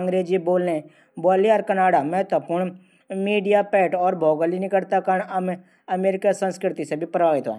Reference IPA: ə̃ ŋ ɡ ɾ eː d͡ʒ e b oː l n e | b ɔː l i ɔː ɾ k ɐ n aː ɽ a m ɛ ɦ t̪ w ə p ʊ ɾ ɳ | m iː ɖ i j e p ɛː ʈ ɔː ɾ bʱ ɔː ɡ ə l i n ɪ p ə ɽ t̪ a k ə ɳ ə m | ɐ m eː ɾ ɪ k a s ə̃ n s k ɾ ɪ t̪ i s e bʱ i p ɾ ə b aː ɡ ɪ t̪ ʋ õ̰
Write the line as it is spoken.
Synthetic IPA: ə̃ ŋ ɡ ɾ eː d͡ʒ i b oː l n e | b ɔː l i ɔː ɾ k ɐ n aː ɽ a m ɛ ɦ t̪ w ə p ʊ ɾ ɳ | m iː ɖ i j a p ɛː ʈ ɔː ɾ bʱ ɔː ɡ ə l i n ɪ k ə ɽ t̪ a k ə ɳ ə m | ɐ m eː ɾ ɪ k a s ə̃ n s k ɾ ɪ t̪ i s e bʱ i p ɾ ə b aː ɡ ɪ t̪ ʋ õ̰